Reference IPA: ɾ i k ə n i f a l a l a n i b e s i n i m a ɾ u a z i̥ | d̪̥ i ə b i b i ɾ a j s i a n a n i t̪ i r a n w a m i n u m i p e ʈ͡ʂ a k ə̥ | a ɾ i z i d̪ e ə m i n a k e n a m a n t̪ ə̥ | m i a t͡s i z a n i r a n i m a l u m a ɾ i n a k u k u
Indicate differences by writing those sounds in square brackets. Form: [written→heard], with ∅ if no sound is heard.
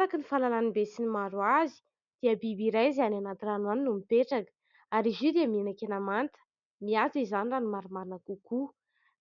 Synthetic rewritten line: ɾ [i→a] k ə n i f a l a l a n i b e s i n i m a ɾ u a z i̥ | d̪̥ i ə b i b i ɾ a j [s→z] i a n a n [i→a] t̪ i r a n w a [m→n] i n u m i p e ʈ͡ʂ a k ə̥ | a ɾ i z i d̪ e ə m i n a k e n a m a n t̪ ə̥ | m i a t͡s i z a n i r a n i m a [l→ɾ] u m a ɾ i n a k u k u